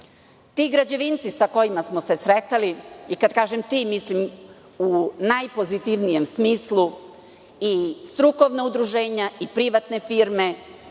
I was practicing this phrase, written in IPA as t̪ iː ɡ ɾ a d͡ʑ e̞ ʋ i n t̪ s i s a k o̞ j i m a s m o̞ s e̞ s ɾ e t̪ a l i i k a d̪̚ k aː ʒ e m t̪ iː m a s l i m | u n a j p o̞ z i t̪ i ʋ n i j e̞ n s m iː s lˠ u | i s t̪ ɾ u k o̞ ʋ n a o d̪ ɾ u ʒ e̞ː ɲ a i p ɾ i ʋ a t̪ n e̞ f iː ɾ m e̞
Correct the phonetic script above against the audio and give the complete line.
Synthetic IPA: t̪ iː ɡ ɾ a d͡ʑ e̞ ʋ i n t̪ s i s a k o̞ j i m a s m o̞ s e̞ s ɾ e t̪ a l i i k a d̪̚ k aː ʒ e m t̪ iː m i s l i m | u n a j p o̞ z i t̪ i ʋ n i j e̞ m s m iː s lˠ u | i s t̪ ɾ u k o̞ ʋ n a u d̪ ɾ u ʒ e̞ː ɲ a i p ɾ i ʋ a t̪ n e̞ f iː ɾ m e̞